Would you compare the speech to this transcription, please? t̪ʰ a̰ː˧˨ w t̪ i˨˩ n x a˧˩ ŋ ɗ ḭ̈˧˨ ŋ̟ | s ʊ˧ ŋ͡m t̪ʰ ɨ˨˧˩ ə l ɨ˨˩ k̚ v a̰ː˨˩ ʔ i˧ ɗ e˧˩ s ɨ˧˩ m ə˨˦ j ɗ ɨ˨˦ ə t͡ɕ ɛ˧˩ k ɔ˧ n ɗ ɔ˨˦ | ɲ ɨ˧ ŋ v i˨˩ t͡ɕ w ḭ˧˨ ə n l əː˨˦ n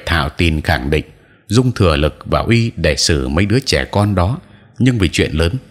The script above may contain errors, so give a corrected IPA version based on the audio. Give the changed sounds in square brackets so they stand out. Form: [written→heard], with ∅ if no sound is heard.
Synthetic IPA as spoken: t̪ʰ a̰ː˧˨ w t̪ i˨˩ n x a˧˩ ŋ ɗ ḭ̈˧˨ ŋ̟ | [s→z] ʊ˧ ŋ͡m t̪ʰ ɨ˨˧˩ ə l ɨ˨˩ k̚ v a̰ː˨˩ ʔ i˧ ɗ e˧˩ s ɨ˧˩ m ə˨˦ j ɗ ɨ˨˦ ə t͡ɕ ɛ˧˩ k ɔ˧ n ɗ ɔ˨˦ | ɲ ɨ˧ ŋ v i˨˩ t͡ɕ w ḭ˧˨ ə n l əː˨˦ n